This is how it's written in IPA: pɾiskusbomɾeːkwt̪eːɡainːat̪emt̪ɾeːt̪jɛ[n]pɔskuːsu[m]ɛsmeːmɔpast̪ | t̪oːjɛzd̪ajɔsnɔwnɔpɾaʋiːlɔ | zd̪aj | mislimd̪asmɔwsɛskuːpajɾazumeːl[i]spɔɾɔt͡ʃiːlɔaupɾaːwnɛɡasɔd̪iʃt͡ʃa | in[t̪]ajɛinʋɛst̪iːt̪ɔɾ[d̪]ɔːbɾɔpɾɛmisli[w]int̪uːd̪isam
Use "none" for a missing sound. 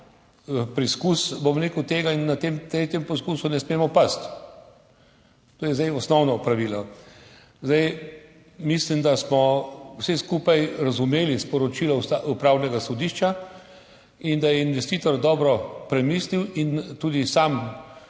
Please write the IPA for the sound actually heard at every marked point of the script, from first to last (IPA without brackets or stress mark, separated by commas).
m, n, i, d̪, d̪, w